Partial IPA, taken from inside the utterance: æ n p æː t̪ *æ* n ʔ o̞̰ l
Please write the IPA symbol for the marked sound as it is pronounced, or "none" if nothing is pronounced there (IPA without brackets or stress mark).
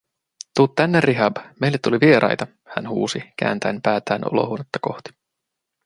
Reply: æː